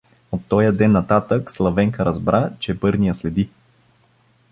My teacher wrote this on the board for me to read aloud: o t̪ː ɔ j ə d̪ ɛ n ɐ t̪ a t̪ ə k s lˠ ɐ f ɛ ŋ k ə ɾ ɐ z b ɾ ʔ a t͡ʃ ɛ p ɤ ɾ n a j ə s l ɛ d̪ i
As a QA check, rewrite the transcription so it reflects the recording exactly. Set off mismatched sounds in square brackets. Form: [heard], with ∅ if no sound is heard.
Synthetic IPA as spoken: o t̪ː ɔ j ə d̪ ɛ [nː] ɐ t̪ a t̪ ə k s lˠ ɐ [v] ɛ ŋ k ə ɾ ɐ z b ɾ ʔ a t͡ʃ ɛ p ɤ ɾ n [i] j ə s l ɛ d̪ i